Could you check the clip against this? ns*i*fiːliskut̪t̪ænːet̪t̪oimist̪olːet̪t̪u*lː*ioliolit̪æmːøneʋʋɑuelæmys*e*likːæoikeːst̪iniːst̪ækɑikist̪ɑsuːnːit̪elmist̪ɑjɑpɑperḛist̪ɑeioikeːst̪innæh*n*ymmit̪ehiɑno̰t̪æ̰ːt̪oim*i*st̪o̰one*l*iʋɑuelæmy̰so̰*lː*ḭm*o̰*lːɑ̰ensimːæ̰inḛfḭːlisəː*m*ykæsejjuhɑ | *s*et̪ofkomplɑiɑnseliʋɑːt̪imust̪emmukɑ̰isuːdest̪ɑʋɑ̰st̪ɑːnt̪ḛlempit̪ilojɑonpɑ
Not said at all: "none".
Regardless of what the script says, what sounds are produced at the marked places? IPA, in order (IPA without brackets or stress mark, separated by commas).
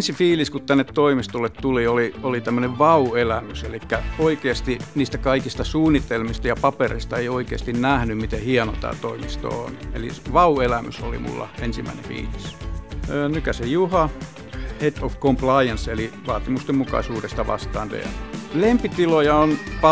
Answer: i, l, e, n, i, l, l, ṵ, n, h